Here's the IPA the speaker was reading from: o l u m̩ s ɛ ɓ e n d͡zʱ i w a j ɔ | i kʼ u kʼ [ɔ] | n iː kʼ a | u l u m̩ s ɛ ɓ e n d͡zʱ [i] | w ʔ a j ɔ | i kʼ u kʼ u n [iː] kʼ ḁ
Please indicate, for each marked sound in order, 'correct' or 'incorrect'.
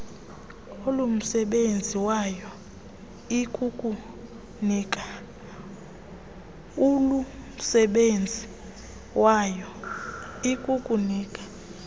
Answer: incorrect, correct, correct

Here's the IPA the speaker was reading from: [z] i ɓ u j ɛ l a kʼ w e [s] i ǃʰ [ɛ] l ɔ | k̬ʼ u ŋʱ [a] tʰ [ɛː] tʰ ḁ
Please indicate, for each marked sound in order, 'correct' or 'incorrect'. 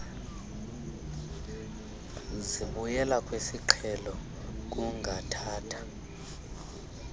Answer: correct, correct, correct, correct, incorrect

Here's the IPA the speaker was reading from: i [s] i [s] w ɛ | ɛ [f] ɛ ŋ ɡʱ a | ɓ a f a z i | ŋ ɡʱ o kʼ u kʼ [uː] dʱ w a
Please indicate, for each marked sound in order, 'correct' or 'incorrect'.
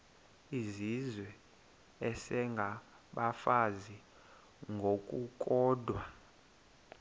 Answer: incorrect, incorrect, incorrect, incorrect

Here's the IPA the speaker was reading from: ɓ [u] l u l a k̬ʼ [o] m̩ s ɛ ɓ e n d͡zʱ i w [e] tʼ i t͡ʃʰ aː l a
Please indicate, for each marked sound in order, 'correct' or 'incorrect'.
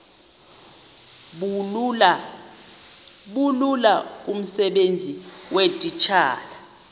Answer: correct, incorrect, correct

